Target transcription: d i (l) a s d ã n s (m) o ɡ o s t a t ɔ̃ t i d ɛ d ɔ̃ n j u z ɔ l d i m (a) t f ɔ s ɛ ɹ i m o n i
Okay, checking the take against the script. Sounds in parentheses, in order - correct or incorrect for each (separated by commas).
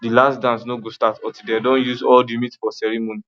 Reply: correct, incorrect, incorrect